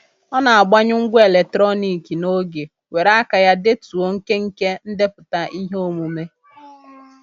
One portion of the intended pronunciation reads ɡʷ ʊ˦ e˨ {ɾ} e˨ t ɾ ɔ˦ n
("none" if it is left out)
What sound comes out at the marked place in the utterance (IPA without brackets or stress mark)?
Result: l